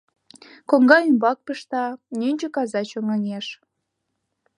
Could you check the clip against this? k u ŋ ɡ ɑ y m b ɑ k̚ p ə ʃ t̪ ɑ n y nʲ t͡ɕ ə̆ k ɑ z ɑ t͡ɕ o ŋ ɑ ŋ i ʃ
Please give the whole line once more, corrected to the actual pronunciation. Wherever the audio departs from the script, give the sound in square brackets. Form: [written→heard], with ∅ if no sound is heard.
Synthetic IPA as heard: k [u→o] ŋ ɡ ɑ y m b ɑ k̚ p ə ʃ t̪ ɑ n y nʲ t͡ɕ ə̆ k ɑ z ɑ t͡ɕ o ŋ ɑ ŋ [i→e] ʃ